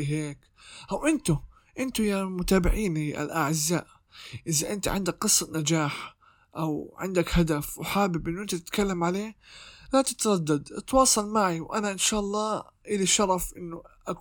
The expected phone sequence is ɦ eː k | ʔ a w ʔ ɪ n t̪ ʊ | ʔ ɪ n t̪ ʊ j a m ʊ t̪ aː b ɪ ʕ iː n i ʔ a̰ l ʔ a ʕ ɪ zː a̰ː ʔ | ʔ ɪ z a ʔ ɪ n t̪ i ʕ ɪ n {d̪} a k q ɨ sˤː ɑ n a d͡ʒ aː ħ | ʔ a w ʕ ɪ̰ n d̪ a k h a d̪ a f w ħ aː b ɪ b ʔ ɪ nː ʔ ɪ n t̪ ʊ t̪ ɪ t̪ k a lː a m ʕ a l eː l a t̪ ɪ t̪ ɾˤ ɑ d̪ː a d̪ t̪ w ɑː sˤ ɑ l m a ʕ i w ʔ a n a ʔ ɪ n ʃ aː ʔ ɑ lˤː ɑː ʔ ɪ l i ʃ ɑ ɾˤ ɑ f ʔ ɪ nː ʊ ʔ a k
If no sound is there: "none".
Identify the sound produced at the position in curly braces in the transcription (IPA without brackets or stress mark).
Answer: d̪